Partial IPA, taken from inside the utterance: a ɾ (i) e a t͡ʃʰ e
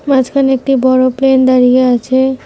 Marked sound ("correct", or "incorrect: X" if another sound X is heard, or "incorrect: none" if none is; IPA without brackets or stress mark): correct